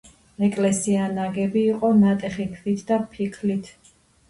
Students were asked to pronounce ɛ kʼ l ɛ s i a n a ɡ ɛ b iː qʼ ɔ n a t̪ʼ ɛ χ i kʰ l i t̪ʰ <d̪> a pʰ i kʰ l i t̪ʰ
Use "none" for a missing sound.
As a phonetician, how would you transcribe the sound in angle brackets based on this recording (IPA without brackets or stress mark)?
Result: d̪